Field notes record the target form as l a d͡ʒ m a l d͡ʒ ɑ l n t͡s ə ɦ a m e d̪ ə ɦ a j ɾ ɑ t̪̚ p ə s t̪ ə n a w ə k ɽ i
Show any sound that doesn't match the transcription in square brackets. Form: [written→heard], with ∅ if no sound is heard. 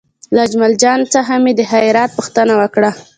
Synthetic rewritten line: l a d͡ʒ m a l d͡ʒ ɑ [l→∅] n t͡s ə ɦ a m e d̪ ə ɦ a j ɾ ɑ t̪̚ p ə [s→x] t̪ ə n a w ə k ɽ [i→a]